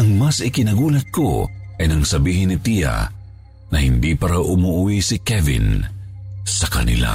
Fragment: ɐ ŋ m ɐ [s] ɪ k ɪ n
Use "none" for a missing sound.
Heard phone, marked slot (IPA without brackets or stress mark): s